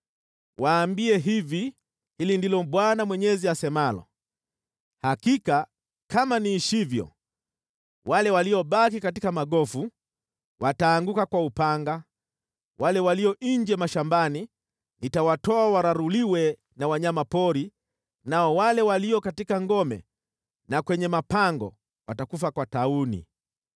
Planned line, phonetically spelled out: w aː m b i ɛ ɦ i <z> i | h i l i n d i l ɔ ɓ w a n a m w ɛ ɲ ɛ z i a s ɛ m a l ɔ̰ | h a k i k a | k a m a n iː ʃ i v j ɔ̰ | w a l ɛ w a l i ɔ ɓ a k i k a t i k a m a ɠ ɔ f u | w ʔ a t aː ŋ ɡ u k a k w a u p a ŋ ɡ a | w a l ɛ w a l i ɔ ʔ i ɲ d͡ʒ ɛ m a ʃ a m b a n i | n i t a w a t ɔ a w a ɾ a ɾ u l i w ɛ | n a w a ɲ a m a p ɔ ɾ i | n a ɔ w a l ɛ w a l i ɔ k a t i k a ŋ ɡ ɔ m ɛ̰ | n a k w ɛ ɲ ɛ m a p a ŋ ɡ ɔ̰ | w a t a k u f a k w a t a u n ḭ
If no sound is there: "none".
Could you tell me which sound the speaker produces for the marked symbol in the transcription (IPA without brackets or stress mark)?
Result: v